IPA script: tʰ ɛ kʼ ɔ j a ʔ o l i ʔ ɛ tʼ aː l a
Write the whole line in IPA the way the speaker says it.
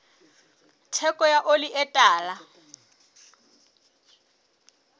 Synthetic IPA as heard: tʰ ɛ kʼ ɔ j a ʔ o l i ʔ ɛ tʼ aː l a